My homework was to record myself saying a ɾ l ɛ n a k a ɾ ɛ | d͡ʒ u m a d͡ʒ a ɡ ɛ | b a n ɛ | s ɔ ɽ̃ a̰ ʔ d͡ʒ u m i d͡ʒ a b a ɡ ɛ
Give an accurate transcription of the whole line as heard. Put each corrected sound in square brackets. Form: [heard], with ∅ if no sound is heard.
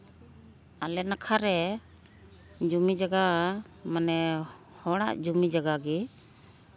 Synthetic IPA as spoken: a [∅] l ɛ n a [kʰ] a ɾ ɛ | d͡ʒ u m [i] d͡ʒ a ɡ [a] | [m] a n ɛ | [h] ɔ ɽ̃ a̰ ʔ d͡ʒ u m i d͡ʒ a [ɡ] a ɡ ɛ

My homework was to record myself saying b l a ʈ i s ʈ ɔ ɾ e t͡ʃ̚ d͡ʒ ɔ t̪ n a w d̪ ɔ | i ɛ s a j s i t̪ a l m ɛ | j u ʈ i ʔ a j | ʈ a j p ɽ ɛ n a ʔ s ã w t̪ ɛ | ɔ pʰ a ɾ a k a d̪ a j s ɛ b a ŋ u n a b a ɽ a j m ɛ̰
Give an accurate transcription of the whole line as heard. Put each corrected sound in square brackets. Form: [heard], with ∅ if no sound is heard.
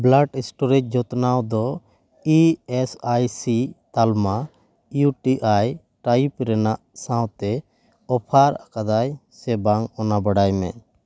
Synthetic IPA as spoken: b l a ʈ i s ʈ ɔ ɾ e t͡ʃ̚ d͡ʒ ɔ t̪ n a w d̪ ɔ | i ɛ s a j s i t̪ a l m [a] | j u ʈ i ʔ a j | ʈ a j p [ɾ] ɛ n a ʔ s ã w t̪ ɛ | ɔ pʰ a ɾ a k a d̪ a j s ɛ b a ŋ [ɔ] n a b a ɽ a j m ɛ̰

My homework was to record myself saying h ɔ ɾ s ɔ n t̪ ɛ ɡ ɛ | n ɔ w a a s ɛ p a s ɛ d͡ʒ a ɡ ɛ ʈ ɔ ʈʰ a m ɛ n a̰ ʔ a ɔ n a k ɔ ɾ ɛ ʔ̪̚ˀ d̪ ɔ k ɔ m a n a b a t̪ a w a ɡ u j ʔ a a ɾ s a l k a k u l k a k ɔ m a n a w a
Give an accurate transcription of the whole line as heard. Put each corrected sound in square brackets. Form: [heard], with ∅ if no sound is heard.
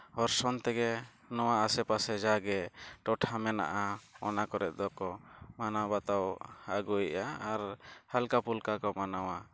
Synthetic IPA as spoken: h ɔ ɾ s ɔ n t̪ ɛ ɡ ɛ | n ɔ w a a s ɛ p a s ɛ d͡ʒ a ɡ ɛ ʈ ɔ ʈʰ a m ɛ n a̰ ʔ a ɔ n a k ɔ ɾ ɛ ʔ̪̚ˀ d̪ ɔ k ɔ m a n a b a t̪ a w a ɡ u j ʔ a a ɾ [h] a l k a [p] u l k a k ɔ m a n a w a

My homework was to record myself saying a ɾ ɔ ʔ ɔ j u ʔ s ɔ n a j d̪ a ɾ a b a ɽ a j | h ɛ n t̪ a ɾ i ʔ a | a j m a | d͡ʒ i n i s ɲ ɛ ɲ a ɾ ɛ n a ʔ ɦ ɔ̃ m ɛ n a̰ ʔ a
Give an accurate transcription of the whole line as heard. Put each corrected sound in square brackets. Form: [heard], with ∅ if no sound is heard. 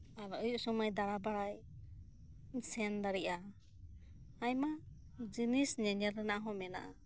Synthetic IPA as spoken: a ɾ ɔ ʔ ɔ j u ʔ s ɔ [m] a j d̪ a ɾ a b a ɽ a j | [s] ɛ n [d̪] a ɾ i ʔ a | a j m a | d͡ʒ i n i s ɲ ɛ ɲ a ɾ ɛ n a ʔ ɦ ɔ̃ m ɛ n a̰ ʔ a

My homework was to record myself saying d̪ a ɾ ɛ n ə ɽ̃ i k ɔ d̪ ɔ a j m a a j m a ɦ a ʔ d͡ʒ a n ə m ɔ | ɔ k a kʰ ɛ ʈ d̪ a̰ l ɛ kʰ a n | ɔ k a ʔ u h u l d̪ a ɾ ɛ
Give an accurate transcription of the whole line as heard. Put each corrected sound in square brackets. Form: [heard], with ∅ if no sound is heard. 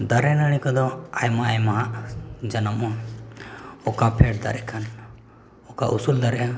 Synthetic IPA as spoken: d̪ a ɾ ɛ n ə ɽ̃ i k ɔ d̪ ɔ a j m a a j m a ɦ a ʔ d͡ʒ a n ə m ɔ | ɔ k a [pʰ] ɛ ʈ d̪ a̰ [ɾ] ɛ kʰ a n | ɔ k a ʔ u [s] u l d̪ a ɾ ɛ

